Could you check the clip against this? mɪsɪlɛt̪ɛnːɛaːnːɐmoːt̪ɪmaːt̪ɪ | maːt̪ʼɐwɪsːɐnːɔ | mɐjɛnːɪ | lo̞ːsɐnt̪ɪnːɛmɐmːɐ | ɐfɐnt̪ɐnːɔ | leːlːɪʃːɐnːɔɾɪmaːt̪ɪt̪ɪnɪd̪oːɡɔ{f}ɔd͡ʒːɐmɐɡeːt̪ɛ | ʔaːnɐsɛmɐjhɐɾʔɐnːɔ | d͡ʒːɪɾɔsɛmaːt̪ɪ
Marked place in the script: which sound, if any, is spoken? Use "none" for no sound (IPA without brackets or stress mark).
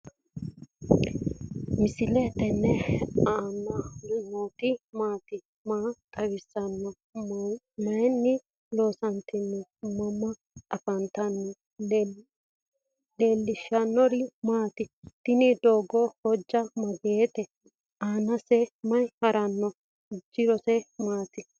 h